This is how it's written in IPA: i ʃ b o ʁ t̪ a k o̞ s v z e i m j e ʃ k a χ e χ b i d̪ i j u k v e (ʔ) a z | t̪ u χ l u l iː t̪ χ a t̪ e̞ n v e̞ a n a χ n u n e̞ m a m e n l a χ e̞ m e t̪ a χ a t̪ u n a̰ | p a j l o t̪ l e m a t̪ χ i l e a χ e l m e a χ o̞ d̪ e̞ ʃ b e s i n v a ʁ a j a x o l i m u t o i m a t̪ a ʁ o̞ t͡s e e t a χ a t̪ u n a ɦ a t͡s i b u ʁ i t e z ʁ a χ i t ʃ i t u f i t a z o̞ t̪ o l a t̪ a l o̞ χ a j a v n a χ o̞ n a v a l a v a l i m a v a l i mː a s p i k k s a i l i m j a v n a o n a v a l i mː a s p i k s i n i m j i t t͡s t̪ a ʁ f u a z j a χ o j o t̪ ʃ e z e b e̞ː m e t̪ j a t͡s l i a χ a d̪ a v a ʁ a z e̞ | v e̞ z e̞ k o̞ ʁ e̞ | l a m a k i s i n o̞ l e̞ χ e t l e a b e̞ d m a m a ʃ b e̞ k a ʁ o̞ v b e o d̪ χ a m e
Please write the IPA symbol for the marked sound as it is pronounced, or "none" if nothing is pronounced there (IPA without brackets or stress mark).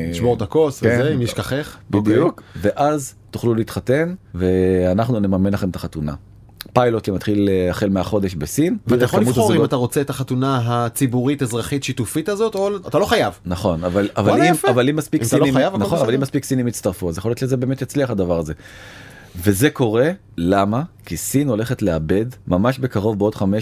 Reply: ʔ